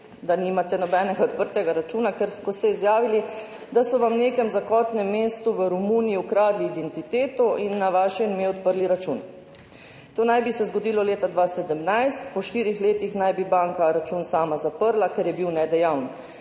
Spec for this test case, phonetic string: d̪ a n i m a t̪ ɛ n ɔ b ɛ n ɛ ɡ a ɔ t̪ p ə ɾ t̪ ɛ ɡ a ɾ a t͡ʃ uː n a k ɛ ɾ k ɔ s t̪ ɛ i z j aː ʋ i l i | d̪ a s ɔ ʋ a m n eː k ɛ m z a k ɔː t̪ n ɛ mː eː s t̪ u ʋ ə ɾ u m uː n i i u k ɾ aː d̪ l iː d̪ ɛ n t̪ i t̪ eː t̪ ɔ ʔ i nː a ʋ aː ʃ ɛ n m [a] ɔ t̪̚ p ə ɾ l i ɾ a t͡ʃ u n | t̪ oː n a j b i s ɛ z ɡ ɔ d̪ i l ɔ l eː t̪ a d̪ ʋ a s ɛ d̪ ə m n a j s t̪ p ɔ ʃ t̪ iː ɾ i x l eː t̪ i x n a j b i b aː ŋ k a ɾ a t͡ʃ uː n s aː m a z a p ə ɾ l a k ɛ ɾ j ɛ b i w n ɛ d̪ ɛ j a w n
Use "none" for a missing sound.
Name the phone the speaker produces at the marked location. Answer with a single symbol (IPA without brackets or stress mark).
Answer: e